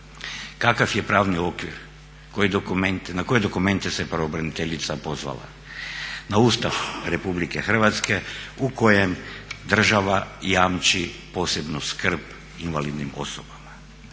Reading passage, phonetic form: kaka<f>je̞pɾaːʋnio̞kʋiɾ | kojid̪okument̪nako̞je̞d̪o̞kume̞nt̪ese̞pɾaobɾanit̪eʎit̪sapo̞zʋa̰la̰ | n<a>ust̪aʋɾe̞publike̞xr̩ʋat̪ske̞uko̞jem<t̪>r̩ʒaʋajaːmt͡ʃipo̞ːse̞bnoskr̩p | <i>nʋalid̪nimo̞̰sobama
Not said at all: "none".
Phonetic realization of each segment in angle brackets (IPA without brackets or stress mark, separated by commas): f, a, d̪, i